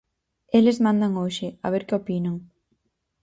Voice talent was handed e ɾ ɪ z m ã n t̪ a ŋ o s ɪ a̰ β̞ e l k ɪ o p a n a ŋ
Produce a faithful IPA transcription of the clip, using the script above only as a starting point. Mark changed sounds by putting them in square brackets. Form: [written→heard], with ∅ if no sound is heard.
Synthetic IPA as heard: e [ɾ→l] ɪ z m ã n [t̪→d̪] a ŋ o [s→ʃ] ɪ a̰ β̞ e [l→ɾ] k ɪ o p [a→i] n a ŋ